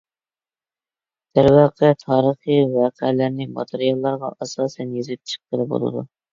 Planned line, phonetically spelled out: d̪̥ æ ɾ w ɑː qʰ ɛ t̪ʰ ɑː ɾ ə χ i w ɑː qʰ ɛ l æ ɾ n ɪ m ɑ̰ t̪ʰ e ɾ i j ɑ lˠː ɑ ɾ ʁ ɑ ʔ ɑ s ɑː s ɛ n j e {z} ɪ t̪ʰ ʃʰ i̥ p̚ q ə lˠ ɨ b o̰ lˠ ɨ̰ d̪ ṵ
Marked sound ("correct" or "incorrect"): correct